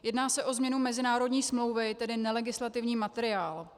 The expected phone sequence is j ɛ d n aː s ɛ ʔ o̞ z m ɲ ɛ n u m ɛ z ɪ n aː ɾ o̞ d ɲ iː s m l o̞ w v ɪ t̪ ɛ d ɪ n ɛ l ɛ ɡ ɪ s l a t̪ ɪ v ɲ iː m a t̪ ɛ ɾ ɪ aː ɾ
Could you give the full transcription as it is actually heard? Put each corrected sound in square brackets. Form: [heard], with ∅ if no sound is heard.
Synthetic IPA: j ɛ d n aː s ɛ ʔ o̞ z m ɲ ɛ n u m ɛ z ɪ n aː ɾ o̞ d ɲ iː s m l o̞ w v ɪ t̪ ɛ d ɪ n ɛ l ɛ ɡ ɪ s l a t̪ ɪ v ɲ iː m a t̪ ɛ ɾ ɪ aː [l]